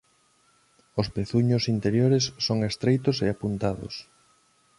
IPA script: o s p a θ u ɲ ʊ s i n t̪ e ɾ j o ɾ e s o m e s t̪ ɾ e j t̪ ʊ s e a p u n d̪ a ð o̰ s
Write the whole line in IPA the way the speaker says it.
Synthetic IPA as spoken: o s p e θ u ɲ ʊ s i n t̪ e ɾ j o ɾ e sː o ŋ e s t̪ ɾ e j t̪ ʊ s e a p u n t̪ a ð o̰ s